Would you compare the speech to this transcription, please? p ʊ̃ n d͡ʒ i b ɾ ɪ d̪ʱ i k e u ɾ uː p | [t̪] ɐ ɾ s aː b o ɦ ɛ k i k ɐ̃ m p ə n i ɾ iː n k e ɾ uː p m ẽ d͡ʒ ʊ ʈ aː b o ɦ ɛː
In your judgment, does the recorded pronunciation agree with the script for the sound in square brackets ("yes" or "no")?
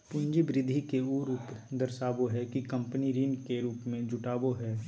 no